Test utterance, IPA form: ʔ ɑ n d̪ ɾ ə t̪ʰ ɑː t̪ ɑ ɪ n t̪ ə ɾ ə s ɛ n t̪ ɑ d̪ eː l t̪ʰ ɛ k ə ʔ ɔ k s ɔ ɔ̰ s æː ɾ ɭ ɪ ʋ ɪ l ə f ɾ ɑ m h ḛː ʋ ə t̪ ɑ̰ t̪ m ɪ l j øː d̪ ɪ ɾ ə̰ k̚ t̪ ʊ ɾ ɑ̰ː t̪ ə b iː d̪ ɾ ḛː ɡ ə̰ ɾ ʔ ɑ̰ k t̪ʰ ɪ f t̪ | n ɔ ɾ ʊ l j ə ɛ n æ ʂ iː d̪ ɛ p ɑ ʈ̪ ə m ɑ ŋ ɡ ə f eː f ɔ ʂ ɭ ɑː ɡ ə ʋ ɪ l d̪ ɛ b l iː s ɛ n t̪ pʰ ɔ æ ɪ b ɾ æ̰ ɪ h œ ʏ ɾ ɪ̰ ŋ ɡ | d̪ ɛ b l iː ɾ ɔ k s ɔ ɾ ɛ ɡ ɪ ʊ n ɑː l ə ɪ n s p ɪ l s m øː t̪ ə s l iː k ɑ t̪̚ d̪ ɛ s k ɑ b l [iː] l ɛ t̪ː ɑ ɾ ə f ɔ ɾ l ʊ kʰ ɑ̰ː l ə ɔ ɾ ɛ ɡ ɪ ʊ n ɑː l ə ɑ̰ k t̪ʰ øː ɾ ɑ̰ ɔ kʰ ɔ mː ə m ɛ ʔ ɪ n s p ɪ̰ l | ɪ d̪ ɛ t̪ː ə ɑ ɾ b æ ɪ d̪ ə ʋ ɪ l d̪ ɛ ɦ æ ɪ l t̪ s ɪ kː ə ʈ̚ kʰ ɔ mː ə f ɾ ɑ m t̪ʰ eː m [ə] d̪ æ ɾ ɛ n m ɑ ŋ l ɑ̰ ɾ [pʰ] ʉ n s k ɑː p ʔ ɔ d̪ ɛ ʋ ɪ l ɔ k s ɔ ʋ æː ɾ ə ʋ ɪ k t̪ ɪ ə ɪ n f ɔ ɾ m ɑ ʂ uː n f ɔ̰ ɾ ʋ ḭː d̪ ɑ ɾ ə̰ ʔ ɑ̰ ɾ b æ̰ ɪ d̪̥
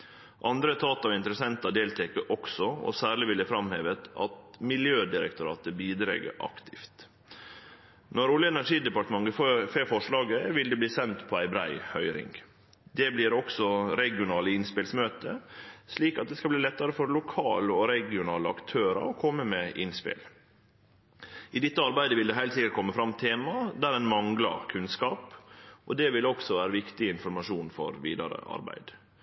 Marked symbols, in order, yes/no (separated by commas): yes, no, no